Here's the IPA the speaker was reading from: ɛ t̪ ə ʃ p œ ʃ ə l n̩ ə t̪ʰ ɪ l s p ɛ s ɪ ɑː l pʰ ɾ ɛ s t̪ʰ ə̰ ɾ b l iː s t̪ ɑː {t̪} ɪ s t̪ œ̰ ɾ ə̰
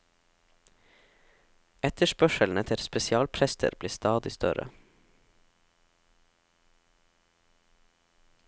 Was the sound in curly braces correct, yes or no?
no